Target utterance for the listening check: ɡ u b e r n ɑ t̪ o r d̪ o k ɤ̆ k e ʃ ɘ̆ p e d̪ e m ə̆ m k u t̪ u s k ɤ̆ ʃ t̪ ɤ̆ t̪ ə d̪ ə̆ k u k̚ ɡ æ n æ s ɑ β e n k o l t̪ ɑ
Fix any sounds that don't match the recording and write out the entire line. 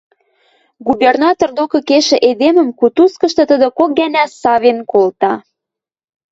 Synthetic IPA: ɡ u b e r n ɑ t̪ o r d̪ o k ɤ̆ k e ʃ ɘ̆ ʔ e d̪ e m ə̆ m k u t̪ u s k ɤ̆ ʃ t̪ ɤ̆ t̪ ə d̪ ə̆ k o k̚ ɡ æ n æ s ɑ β e n k o l t̪ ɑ